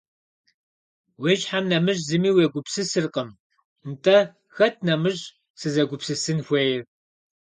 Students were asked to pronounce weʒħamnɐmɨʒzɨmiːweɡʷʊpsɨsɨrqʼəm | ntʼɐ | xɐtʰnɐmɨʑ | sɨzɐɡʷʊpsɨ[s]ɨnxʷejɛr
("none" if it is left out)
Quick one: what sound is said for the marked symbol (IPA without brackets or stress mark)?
s